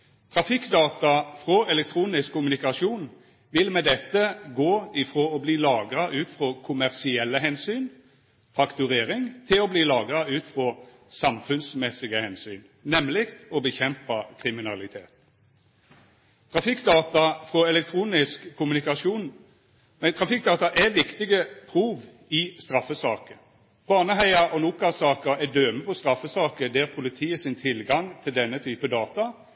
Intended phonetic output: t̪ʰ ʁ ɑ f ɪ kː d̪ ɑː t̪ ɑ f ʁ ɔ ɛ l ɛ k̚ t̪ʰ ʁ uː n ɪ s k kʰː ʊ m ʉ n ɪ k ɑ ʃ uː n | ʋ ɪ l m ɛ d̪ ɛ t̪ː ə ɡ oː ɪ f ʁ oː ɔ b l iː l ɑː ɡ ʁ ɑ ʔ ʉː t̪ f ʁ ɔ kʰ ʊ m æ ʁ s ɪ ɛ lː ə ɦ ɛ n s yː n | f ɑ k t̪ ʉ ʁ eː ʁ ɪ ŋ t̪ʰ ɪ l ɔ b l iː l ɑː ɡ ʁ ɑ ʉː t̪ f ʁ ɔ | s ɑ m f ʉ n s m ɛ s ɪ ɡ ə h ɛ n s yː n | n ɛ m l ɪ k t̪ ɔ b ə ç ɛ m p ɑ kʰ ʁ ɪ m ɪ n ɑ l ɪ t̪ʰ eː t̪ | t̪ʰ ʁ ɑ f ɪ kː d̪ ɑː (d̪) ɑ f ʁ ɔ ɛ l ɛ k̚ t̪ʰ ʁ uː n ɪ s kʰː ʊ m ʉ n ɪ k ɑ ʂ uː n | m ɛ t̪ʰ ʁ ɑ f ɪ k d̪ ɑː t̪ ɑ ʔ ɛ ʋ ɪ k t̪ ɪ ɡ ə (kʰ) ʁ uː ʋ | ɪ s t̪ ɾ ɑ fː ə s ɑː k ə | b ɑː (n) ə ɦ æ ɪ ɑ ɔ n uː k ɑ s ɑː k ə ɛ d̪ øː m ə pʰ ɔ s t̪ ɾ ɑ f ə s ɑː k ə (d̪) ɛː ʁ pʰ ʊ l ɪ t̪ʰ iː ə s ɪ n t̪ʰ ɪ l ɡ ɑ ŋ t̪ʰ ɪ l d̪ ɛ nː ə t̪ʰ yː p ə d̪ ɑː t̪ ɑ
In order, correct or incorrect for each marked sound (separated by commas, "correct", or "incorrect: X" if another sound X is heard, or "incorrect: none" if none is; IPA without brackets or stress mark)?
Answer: incorrect: t̪, incorrect: pʰ, correct, correct